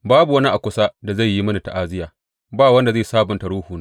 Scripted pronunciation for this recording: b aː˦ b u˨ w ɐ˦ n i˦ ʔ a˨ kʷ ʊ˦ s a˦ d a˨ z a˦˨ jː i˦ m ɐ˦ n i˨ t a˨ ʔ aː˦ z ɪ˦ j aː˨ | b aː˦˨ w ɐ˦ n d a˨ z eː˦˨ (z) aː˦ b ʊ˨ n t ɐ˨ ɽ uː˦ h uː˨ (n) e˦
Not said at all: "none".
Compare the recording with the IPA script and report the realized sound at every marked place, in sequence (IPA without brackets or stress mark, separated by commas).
s, n